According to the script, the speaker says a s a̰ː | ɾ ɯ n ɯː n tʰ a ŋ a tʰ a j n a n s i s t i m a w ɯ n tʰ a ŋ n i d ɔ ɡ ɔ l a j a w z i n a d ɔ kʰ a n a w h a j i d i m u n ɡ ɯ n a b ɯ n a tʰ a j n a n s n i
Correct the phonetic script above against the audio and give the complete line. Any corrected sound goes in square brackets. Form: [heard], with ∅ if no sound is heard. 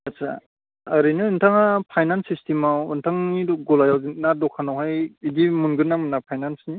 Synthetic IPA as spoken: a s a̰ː | ɾ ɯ n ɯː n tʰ a ŋ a [pʰ] a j n a n s i s t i m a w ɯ n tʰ a ŋ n i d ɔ ɡ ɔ l a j a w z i n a d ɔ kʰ a n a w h a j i d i m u n ɡ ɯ n a [m] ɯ n a [pʰ] a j n a n s n i